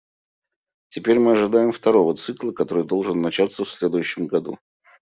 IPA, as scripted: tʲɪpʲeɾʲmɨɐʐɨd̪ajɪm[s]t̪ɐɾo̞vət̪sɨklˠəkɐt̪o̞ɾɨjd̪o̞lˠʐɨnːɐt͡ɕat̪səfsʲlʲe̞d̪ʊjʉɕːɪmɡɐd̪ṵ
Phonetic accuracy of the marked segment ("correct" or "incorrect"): incorrect